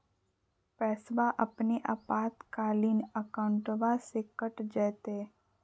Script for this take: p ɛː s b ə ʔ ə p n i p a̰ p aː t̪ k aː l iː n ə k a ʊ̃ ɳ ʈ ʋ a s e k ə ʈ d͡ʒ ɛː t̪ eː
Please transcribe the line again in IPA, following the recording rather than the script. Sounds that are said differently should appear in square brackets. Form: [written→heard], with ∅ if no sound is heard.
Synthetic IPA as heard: p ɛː s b [ə→a] ʔ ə p n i [p→ʔ] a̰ p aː t̪ k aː l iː n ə k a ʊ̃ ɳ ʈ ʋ a s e k ə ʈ d͡ʒ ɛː t̪ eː